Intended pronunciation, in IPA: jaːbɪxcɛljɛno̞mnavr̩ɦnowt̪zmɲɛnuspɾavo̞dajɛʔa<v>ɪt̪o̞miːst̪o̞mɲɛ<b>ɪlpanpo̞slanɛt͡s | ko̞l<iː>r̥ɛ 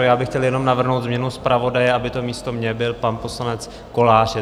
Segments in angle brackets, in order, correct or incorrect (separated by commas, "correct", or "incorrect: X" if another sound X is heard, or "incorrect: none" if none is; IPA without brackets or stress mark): incorrect: b, correct, incorrect: aː